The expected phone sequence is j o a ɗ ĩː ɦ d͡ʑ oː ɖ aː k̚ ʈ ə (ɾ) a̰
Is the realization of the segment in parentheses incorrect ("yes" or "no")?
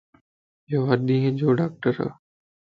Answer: no